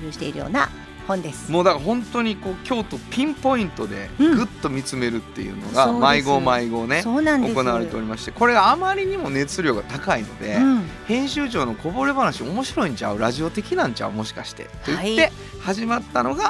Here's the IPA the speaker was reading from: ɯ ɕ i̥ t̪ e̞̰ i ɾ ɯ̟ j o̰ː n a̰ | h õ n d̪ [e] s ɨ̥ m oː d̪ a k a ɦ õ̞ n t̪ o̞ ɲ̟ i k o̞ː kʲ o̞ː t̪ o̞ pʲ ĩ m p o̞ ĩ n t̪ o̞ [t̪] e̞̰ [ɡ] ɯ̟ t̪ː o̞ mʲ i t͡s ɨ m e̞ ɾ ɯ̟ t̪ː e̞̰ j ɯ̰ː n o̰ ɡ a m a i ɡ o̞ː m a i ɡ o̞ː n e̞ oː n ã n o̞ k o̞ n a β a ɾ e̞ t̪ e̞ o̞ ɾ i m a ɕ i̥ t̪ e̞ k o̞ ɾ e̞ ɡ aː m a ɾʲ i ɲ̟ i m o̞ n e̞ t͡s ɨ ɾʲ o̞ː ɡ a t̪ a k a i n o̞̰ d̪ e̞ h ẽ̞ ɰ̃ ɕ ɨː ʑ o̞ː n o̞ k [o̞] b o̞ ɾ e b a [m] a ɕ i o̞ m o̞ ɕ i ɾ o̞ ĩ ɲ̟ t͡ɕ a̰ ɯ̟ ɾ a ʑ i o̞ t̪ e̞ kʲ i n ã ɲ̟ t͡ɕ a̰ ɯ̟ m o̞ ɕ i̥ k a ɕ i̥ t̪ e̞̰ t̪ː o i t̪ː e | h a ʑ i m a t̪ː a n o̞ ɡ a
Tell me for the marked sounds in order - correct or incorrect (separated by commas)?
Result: correct, incorrect, correct, correct, incorrect